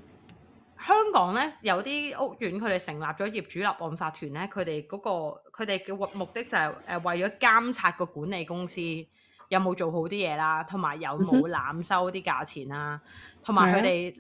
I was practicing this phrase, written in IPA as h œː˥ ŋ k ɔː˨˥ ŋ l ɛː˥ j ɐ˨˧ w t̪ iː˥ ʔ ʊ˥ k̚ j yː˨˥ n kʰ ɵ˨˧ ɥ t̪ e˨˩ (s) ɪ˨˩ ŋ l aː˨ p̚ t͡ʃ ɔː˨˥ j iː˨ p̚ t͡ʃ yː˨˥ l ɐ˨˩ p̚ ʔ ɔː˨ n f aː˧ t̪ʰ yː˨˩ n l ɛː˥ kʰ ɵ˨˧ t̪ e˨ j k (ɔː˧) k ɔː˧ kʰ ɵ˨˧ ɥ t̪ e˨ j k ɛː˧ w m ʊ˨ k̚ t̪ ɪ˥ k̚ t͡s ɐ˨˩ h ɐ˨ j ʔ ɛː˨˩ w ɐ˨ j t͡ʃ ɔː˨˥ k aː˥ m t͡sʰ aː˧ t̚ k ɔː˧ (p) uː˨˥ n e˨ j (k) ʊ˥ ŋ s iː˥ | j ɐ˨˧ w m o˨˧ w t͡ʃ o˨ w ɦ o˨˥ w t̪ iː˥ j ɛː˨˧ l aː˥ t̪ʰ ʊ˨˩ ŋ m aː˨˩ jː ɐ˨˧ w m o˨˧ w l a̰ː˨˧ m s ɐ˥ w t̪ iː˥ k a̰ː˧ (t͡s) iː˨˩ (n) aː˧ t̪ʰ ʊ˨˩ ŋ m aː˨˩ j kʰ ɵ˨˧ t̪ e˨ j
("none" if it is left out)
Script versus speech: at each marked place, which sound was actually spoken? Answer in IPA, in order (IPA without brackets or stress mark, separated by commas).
s, ɔː˨˥, k, k, t͡sʰ, n